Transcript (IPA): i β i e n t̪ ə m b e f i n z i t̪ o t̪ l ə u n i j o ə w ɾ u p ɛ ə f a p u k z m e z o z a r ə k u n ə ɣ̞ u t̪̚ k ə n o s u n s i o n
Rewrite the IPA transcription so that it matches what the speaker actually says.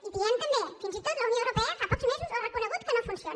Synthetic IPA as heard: i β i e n t̪ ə m b e f i n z i t̪ o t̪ l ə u n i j o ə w ɾ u p ɛ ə f a p ɔ k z m e z u z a r ə k u n ə ɣ̞ u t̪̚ k ə n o f u n s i o n